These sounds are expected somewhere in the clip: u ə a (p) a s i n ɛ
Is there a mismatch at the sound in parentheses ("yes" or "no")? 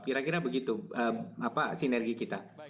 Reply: no